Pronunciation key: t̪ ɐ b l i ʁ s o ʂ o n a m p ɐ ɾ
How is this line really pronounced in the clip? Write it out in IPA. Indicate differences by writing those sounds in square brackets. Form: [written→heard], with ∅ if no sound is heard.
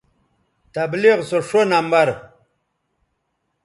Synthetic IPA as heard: t̪ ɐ b l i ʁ s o ʂ o n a m [p→b] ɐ ɾ

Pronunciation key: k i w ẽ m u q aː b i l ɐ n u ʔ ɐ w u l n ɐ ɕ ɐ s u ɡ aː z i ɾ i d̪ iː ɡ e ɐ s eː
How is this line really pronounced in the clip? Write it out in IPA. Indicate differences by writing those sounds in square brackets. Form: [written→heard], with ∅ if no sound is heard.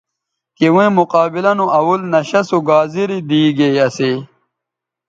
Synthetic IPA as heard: k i w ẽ m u q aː b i l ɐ n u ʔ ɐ w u l n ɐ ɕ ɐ s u ɡ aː z i ɾ i d̪ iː ɡ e ɐ s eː

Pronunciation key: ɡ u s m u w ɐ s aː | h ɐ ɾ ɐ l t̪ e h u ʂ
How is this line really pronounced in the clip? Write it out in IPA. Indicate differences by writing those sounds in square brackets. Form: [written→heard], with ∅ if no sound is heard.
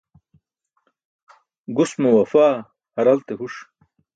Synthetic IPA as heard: ɡ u s m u w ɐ [s→f] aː | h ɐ ɾ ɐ l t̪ e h u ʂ

